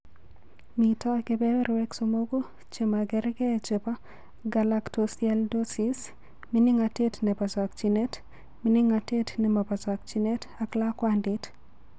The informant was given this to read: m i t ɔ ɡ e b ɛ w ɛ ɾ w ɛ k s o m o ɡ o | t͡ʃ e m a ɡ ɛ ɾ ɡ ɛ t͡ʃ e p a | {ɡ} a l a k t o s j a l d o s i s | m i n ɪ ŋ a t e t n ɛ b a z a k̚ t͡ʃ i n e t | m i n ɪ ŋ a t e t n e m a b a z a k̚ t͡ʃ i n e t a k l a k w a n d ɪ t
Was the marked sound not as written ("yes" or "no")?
no